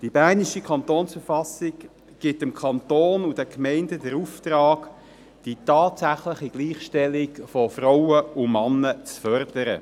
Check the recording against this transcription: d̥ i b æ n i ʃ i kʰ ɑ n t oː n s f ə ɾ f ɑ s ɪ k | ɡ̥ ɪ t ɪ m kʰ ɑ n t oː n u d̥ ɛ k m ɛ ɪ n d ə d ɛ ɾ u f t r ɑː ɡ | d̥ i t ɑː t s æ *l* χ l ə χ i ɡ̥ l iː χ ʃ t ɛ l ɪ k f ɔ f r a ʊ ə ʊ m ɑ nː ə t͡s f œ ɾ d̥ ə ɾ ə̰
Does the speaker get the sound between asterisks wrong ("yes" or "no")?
yes